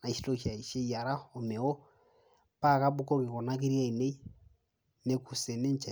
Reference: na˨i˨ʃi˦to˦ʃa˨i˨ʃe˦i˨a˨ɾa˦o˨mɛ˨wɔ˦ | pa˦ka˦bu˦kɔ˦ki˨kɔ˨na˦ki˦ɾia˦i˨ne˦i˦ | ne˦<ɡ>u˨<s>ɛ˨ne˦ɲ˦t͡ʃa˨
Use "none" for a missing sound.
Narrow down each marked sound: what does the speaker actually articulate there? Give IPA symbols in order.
k, s

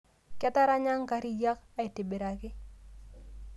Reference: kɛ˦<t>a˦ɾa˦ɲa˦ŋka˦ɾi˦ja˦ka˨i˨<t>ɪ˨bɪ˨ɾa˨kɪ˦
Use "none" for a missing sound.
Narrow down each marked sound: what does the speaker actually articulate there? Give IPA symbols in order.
t, t

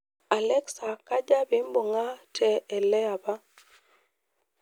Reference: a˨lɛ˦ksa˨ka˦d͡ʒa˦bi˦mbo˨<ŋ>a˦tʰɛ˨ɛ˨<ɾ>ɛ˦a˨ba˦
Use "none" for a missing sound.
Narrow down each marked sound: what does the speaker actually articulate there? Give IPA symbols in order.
ŋ, l

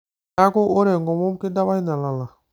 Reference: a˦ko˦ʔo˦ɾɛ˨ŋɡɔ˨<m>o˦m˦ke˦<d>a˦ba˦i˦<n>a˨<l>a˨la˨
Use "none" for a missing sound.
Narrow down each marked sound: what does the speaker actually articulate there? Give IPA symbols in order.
m, d, n, l

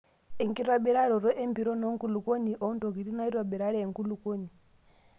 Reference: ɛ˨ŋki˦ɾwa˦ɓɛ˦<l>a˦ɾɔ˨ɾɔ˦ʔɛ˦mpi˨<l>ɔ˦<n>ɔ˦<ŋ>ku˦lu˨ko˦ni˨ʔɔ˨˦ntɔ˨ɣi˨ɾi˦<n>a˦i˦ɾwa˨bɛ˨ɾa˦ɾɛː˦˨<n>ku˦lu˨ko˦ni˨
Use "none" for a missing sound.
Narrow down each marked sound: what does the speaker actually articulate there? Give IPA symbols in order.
ɾ, ɾ, n, ŋ, n, ŋ

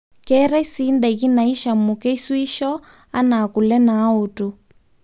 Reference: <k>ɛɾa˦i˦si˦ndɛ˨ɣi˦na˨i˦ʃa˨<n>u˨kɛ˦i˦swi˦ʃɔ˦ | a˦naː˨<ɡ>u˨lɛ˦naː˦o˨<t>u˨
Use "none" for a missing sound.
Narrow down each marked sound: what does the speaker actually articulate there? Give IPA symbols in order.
k, m, k, t

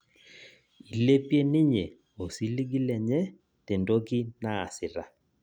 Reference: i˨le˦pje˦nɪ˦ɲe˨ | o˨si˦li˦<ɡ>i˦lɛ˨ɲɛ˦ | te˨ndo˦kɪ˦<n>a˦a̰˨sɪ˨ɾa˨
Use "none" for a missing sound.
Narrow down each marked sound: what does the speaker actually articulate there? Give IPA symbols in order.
ɡ, n

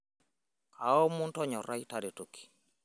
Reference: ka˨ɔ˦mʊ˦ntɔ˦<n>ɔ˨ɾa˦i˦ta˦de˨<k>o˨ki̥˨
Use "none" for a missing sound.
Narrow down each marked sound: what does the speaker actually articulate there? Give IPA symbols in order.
ɲ, t

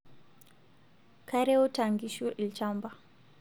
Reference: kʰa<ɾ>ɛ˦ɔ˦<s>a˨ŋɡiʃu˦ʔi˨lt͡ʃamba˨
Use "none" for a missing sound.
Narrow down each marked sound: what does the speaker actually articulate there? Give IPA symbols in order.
ɾ, t

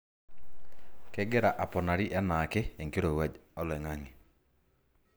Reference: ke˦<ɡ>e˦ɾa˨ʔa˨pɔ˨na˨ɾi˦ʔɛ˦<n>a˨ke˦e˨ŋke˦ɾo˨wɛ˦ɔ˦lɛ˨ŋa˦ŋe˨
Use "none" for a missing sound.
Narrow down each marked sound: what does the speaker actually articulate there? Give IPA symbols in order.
ɡ, n

